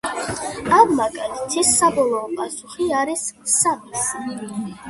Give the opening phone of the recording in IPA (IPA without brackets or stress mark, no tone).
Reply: a